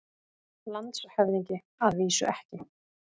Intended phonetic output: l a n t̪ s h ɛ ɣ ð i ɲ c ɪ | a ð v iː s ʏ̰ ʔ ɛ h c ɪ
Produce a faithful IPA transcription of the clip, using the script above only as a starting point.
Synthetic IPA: l a n t̪ s h ɛ v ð i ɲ c ɪ | a ð v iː s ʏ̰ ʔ ɛ h c ɪ